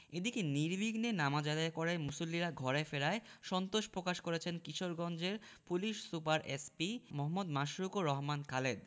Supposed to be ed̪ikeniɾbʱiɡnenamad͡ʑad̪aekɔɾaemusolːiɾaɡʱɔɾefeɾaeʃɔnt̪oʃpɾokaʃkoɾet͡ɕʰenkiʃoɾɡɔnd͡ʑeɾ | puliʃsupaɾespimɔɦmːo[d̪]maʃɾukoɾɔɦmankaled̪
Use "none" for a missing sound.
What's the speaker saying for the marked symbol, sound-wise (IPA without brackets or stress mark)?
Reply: d̪